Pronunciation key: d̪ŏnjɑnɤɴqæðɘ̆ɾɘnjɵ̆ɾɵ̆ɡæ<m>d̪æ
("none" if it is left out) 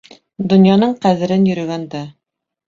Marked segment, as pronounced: n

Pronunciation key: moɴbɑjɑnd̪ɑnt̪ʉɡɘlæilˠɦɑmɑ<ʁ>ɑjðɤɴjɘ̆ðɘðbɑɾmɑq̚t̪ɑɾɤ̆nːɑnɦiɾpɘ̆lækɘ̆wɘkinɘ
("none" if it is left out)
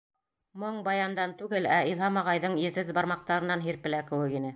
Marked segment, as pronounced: ʁ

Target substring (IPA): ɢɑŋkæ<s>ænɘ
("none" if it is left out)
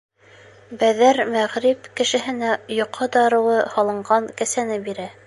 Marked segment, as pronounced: s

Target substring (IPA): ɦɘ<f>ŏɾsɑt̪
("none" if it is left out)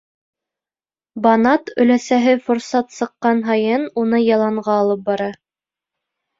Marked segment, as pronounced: f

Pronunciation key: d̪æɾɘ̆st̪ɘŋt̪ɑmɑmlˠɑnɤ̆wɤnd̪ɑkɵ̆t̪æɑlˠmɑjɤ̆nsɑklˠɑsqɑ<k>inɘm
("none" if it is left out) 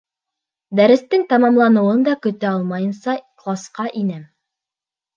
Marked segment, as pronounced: ʔ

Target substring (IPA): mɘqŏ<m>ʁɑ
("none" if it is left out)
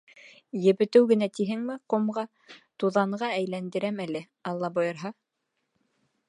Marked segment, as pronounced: m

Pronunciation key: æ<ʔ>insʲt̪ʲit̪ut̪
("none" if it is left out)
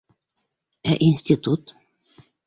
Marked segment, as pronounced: ʔ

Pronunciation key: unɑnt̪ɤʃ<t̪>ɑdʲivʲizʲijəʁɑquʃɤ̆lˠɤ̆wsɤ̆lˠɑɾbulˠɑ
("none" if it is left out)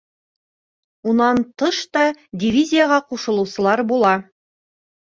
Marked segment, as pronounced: t̪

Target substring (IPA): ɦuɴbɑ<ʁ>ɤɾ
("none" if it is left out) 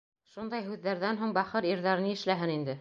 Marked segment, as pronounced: χ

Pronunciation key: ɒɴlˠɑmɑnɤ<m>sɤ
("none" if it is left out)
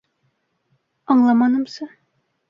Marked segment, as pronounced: m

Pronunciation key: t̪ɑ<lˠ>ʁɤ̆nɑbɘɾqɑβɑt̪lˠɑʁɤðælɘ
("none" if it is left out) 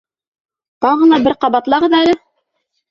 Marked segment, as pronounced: none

